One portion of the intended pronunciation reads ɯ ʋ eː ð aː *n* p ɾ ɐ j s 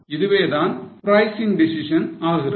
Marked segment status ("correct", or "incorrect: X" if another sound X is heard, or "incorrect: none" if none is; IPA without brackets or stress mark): correct